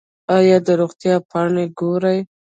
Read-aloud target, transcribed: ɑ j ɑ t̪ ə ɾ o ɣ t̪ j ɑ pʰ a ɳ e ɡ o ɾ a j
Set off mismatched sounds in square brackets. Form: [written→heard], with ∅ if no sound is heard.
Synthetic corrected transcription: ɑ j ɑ [t̪→d̪] ə ɾ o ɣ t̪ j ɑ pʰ [a→ɑ] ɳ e ɡ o ɾ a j